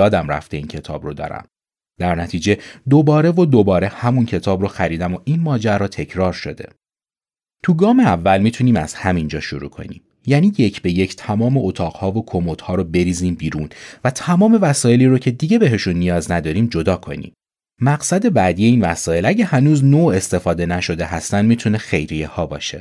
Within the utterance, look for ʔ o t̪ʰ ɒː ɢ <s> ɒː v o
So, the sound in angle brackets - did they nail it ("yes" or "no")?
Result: no